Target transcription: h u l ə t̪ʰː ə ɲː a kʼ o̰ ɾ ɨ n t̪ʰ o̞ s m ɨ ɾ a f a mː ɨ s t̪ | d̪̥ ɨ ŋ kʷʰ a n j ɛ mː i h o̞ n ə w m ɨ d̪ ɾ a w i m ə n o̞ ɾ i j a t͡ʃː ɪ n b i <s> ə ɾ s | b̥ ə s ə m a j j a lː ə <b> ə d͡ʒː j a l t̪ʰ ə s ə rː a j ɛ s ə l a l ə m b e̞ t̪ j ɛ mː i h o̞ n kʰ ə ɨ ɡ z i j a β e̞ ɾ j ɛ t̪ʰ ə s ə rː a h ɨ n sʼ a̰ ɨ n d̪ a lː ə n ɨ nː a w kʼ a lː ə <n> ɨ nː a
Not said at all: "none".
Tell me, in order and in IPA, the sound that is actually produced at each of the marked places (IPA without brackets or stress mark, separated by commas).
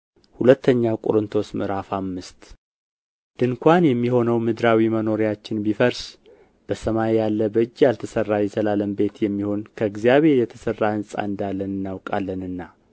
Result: f, b, n